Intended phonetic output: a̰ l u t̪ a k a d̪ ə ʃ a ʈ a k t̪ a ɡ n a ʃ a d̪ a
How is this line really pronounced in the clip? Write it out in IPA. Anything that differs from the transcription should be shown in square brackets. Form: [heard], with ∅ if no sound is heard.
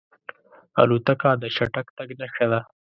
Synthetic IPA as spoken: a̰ l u t̪ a k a d̪ ə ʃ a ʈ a k t̪ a ɡ n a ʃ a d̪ a